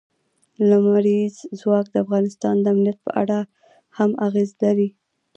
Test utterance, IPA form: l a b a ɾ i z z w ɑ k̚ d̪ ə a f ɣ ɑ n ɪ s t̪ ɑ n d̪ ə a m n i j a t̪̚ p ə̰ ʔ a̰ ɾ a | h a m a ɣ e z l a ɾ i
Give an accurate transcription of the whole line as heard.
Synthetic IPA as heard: l a m a ɾ i z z w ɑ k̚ d̪ ə a f ɣ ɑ n ɪ s t̪ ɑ n d̪ ə a m n i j a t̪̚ p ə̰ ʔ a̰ ɽ a | h a m a ɣ e z l a ɾ i